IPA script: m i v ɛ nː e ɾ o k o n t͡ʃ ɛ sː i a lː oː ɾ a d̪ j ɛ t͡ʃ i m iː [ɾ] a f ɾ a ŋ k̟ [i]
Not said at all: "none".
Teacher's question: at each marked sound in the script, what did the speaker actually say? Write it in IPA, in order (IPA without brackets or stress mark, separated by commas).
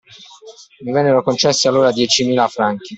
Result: l, i